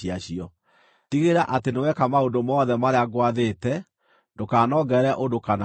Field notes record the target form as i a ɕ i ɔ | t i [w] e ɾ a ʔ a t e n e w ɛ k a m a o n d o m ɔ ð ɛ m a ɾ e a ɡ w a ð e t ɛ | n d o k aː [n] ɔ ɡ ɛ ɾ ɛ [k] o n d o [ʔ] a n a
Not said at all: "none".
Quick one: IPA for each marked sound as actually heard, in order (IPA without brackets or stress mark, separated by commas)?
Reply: ɣ, n, ʔ, k